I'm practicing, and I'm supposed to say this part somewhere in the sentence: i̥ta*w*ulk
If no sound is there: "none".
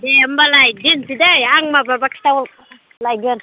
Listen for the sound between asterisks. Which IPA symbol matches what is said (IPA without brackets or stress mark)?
w